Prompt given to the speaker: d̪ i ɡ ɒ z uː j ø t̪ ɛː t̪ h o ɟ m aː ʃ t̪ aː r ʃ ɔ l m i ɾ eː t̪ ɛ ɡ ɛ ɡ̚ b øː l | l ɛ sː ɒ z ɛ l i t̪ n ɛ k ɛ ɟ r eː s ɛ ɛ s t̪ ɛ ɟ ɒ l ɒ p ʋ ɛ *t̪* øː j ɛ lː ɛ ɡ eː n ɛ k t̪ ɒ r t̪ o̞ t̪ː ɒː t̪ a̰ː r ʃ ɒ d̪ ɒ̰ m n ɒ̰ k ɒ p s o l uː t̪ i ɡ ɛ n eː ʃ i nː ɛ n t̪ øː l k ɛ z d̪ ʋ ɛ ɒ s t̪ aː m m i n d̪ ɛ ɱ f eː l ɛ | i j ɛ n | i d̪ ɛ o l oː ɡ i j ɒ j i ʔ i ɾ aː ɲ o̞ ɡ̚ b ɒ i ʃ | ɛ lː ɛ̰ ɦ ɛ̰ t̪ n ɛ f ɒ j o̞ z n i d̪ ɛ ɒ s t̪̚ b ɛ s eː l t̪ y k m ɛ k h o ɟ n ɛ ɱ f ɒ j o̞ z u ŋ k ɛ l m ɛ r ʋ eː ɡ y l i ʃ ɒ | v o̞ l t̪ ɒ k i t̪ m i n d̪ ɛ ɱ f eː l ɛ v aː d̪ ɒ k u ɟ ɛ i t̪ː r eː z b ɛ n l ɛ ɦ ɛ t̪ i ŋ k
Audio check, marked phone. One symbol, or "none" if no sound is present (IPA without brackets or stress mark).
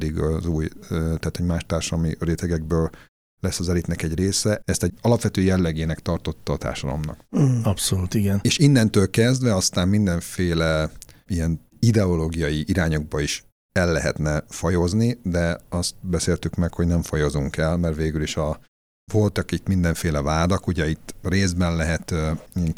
t̪